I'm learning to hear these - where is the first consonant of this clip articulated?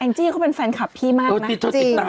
throat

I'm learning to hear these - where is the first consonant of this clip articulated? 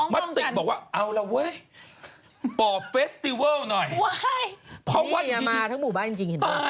lips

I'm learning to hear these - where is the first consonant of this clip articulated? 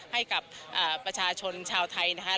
throat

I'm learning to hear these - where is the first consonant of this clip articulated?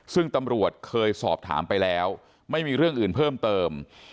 tongue tip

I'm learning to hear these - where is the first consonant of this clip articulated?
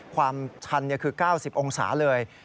velum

